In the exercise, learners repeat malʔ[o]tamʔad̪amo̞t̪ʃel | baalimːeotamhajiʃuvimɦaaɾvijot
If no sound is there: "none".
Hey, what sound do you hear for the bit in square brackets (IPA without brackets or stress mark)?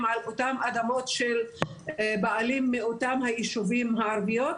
o